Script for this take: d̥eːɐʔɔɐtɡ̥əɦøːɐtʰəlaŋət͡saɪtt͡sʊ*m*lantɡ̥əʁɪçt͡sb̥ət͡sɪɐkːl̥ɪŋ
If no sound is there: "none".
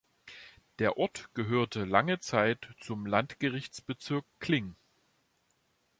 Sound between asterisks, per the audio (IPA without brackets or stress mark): m